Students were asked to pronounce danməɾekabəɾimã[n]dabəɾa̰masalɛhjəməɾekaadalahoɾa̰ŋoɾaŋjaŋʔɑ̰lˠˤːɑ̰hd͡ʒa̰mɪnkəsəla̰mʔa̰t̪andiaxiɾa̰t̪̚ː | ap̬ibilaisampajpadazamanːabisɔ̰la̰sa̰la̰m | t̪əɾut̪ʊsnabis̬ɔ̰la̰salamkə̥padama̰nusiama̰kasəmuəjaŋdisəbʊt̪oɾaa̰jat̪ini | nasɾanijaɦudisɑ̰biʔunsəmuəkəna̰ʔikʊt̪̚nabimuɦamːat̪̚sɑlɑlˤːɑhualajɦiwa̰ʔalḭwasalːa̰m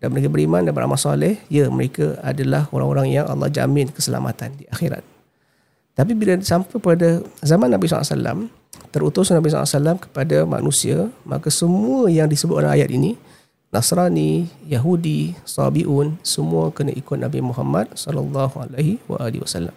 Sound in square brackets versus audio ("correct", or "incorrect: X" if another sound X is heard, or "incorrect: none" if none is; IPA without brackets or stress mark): correct